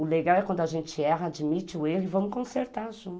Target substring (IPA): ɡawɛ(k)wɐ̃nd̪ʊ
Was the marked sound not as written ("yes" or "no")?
no